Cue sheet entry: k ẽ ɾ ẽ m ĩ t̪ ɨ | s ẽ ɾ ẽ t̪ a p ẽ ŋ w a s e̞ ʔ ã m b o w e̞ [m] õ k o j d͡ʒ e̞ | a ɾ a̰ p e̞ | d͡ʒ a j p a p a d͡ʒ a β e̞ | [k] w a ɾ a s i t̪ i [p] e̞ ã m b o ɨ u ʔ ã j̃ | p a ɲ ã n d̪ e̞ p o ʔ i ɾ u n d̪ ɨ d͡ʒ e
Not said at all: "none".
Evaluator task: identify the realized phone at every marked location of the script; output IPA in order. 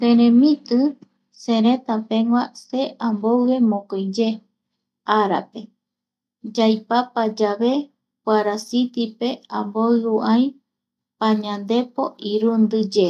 m, p, p

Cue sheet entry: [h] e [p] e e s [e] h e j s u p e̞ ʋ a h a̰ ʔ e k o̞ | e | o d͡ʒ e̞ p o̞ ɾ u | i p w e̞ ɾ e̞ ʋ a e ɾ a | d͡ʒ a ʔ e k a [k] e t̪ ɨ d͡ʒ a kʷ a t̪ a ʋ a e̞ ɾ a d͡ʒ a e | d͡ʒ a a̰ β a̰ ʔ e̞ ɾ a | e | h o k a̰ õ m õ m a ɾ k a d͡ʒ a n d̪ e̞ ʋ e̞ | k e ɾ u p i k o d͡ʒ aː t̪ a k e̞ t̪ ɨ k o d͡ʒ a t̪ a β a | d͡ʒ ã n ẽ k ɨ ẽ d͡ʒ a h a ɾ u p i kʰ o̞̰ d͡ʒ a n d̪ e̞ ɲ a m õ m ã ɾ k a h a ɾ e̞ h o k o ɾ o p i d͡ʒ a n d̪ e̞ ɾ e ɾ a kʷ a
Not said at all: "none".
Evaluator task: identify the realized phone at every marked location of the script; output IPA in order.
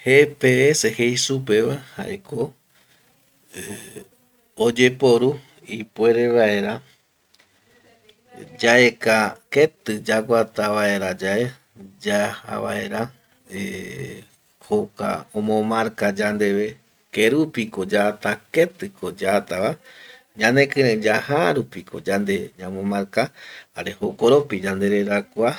h, p, e, k

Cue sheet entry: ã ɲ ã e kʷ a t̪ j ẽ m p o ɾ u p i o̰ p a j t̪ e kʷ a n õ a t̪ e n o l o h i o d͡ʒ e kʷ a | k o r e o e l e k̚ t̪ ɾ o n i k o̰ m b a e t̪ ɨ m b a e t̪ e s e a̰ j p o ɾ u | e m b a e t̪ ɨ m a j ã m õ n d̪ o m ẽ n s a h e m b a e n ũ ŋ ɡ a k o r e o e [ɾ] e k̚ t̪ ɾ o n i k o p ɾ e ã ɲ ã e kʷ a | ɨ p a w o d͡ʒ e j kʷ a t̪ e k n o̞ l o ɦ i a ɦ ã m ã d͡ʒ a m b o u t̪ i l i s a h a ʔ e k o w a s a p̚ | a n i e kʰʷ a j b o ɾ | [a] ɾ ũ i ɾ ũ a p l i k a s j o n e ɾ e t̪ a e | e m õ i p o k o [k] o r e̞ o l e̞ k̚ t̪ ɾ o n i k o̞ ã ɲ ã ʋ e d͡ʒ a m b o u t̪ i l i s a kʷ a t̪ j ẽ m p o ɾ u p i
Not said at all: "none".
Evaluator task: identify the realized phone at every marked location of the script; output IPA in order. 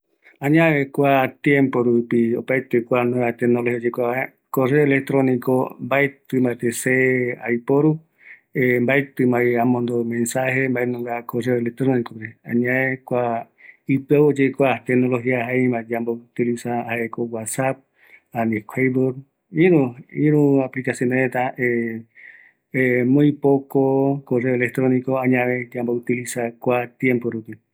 l, i, k

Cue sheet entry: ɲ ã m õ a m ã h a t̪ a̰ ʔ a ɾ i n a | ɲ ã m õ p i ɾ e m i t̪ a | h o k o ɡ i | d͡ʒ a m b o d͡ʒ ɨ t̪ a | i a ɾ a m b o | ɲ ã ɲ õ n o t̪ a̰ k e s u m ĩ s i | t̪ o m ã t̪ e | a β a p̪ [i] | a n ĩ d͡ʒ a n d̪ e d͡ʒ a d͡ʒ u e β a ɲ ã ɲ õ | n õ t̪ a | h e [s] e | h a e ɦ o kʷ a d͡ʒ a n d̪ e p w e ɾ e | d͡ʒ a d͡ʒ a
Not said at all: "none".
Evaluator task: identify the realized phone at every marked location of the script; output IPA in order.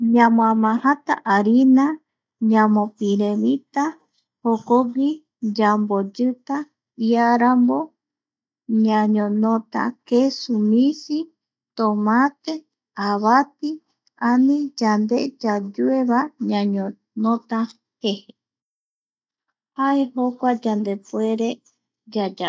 i, h

